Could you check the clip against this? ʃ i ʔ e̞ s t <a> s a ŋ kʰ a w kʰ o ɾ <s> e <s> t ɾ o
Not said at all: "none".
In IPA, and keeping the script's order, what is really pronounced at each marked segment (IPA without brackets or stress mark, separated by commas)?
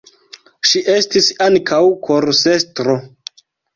i, s, s